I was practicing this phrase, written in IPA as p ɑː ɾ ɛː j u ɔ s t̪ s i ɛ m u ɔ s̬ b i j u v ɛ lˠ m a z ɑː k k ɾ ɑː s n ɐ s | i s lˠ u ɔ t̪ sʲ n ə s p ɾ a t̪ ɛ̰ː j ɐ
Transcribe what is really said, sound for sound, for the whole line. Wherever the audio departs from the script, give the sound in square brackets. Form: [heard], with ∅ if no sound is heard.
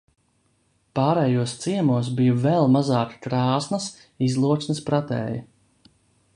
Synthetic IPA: p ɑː ɾ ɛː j u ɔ s t̪ s i ɛ m u ɔ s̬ b i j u v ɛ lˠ m a z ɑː k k ɾ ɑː s n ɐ s | i [z] lˠ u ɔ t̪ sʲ n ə s p ɾ a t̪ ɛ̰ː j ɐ